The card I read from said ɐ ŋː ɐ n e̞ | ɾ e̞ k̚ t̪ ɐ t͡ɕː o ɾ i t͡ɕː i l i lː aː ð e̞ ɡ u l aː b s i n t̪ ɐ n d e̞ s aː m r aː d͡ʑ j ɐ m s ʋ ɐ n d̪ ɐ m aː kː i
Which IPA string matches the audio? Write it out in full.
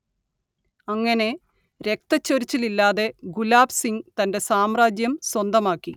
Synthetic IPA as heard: ɐ ŋː ɐ n e̞ | ɾ e̞ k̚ t̪ ɐ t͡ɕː o ɾ i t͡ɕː i l i lː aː ð e̞ ɡ u l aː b s i ŋ t̪ ɐ n d e̞ s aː m r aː d͡ʑ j ɐ m s w ɐ n d̪ ɐ m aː kː i